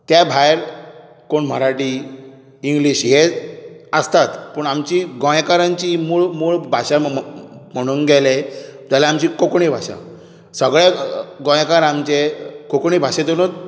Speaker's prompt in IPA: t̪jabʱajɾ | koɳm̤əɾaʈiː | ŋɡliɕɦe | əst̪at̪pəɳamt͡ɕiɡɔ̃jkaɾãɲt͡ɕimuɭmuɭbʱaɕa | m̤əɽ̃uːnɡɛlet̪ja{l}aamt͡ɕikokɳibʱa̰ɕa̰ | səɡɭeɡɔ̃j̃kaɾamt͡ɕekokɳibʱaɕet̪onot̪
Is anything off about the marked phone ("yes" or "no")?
no